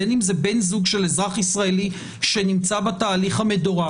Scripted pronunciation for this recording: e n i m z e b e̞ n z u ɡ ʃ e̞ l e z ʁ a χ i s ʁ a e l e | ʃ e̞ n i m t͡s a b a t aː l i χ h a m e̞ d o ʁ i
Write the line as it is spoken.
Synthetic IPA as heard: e n i m z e b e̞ n z u ɡ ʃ e̞ l e z ʁ a χ i s ʁ a e l i | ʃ e̞ n i m t͡s a b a t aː l i χ h a m e̞ d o ʁ a